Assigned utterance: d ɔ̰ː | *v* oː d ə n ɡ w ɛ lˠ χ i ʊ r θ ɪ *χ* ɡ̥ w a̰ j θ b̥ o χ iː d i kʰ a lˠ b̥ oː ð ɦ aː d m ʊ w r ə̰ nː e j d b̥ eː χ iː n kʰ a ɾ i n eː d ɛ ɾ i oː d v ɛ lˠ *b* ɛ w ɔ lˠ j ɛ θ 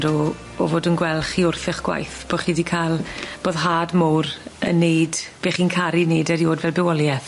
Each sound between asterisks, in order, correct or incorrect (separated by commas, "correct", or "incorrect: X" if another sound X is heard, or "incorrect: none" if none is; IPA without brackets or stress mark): correct, correct, correct